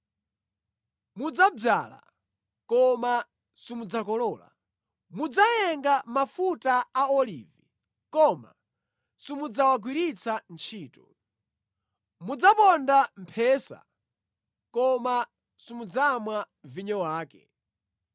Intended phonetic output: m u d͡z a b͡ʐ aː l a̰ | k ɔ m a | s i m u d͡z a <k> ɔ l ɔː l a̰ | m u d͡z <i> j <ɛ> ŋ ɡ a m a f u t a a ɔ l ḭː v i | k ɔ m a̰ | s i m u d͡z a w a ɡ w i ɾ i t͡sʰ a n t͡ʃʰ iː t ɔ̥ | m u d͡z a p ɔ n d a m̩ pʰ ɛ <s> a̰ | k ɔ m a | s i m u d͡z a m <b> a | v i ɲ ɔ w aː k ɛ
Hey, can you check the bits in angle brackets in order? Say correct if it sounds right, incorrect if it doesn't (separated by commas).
correct, incorrect, correct, correct, incorrect